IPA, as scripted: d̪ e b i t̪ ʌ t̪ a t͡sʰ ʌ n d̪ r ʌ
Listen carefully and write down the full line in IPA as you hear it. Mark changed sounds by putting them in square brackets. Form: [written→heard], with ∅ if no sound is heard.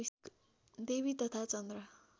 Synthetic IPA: d̪ e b i t̪ ʌ [t̪→t̪ʰ] a [t͡sʰ→t͡s] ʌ n d̪ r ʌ

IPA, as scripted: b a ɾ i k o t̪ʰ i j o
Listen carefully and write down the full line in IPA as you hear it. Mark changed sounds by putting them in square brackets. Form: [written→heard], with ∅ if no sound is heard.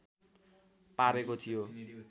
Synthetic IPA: [b→p] a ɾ [i→e] k o t̪ʰ i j o

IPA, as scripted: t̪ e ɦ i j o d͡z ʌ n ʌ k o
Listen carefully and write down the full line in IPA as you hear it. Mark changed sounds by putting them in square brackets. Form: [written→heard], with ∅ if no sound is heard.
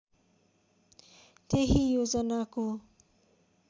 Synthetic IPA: t̪ e ɦ i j o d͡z ʌ n [ʌ→a] k o

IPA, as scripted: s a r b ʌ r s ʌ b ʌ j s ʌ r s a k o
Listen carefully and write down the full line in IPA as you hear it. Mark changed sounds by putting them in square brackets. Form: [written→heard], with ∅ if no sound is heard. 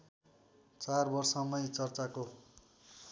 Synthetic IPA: [s→t͡s] a r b ʌ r s ʌ [b→m] ʌ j [s→t͡s] ʌ r [s→t͡s] a k o

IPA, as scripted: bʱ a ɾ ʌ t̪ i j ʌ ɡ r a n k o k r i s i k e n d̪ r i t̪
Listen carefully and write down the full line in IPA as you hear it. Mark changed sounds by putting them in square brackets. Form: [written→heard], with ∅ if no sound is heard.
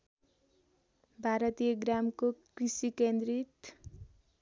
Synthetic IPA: bʱ a ɾ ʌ t̪ i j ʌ ɡ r a [n→m] k o k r i s i k e n d̪ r i t̪

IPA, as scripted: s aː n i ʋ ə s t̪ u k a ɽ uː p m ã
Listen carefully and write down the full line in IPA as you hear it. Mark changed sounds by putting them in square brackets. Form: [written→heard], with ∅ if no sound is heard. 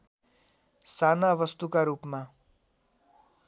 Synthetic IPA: s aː n [i→a] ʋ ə s t̪ u k a [ɽ→ɾ] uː p m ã

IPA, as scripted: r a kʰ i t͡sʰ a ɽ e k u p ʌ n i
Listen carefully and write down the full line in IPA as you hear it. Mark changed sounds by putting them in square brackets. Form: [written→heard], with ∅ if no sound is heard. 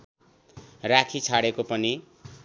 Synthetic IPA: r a kʰ i t͡sʰ a ɽ e k [u→o] p ʌ n i

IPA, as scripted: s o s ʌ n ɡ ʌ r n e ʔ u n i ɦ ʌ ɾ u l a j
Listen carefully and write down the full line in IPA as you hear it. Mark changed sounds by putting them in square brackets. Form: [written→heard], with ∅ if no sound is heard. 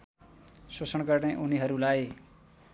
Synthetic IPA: s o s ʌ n ɡ ʌ r n e ʔ u n i ɦ ʌ ɾ u l a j

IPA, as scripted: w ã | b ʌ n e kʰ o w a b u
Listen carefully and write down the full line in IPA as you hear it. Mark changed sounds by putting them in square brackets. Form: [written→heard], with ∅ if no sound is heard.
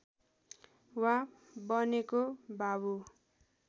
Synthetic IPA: w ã | b ʌ n e [kʰ→k] o [w→b] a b u

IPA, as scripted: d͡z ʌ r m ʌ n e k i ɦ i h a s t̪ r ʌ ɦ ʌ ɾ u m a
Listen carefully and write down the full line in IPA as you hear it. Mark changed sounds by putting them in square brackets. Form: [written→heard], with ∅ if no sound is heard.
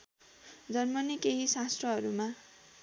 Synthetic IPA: d͡z ʌ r m ʌ n [e→i] k [i→e] ɦ i [h→s] a s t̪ r ʌ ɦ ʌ ɾ u m a

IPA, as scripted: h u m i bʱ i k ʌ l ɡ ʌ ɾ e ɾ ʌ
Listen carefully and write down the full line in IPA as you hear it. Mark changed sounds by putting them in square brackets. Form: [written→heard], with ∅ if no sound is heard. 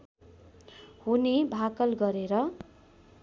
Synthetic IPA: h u [m→n] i bʱ [i→a] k ʌ l ɡ ʌ ɾ e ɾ ʌ

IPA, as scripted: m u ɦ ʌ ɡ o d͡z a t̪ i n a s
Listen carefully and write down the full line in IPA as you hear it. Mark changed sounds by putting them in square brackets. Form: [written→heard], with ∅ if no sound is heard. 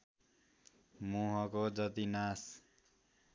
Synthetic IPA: m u ɦ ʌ [ɡ→k] o d͡z [a→ʌ] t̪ i n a s

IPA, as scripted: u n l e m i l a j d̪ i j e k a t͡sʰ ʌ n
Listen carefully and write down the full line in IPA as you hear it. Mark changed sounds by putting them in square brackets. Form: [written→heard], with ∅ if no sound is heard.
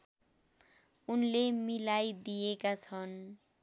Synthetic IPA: u n l e m i l a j d̪ i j e k a t͡sʰ ʌ n

